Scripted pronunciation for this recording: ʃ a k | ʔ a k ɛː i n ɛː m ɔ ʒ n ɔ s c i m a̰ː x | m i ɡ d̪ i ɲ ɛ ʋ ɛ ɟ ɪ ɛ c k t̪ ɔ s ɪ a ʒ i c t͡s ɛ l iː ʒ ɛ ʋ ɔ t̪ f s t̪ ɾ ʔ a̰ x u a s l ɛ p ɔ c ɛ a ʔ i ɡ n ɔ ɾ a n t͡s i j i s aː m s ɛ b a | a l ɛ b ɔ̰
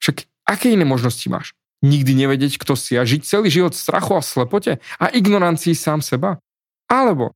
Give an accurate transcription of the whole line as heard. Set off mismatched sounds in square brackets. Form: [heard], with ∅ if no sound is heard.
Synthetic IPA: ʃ a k | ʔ a k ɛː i n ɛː m ɔ ʒ n ɔ s c i m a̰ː [ʃ] | [ɲ] i ɡ d̪ i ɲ ɛ ʋ ɛ ɟ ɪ ɛ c k t̪ ɔ s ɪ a ʒ i c t͡s ɛ l iː ʒ [i] ʋ ɔ t̪ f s t̪ ɾ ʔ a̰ x u a s l ɛ p ɔ c ɛ a ʔ i ɡ n ɔ ɾ a n t͡s i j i s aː m s ɛ b a | a l ɛ b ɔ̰